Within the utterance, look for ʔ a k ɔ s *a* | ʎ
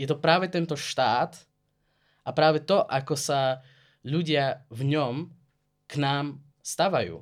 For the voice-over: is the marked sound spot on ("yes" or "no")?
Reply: yes